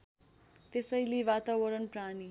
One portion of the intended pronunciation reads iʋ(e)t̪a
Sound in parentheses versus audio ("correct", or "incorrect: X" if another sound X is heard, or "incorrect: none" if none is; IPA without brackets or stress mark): incorrect: a